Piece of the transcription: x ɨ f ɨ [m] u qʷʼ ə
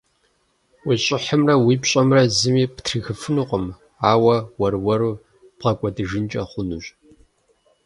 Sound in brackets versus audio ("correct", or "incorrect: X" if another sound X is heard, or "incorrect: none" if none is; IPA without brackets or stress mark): incorrect: n